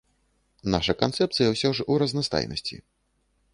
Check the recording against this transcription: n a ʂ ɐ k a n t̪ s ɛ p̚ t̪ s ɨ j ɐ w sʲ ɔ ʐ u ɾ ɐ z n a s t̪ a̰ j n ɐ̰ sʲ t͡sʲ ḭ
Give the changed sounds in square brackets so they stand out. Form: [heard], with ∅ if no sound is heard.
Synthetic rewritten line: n a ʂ ɐ k a n t̪ s ɛ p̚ t̪ s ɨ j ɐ w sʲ ɔ ʐ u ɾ ɐ z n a s t̪ a̰ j n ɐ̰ sʲ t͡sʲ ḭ